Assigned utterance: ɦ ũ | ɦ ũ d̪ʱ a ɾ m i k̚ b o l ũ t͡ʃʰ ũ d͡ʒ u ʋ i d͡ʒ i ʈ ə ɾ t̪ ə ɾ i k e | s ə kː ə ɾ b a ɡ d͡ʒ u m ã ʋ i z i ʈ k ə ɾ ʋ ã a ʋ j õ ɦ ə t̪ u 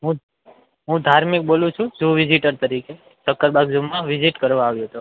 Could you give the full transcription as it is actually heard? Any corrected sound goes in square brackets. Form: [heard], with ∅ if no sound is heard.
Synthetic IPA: ɦ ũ | ɦ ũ d̪ʱ a ɾ m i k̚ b o l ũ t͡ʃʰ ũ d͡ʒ u ʋ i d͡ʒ i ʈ ə ɾ t̪ ə ɾ i k e | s ə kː ə ɾ b a ɡ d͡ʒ u m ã ʋ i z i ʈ k ə ɾ ʋ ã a ʋ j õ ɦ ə t̪ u